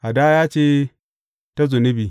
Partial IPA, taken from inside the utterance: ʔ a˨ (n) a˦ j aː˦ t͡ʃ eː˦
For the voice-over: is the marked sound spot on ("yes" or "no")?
no